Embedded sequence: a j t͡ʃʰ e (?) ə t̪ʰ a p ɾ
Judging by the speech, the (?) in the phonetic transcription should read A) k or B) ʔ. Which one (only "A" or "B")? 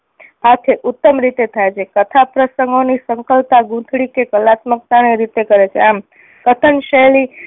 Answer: A